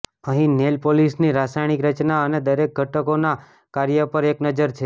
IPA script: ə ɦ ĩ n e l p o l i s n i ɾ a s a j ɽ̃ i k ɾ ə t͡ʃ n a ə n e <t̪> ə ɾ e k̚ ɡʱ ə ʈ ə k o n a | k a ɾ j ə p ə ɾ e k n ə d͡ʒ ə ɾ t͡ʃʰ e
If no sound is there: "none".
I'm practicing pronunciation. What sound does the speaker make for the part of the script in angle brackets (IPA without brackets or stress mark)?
d̪